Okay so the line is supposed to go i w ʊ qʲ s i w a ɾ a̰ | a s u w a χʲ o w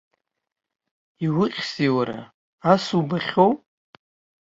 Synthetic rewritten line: i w ʊ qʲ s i w a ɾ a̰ | a s u b a χʲ o w